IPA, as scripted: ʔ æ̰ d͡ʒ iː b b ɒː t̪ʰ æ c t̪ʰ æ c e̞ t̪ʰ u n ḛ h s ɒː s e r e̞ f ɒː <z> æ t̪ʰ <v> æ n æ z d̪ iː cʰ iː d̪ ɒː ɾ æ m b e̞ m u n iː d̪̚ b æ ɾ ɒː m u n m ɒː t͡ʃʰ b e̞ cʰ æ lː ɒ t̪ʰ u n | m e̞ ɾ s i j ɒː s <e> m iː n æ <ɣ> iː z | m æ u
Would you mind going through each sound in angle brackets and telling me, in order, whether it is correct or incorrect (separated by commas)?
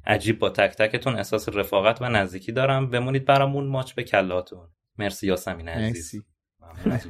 incorrect, correct, incorrect, incorrect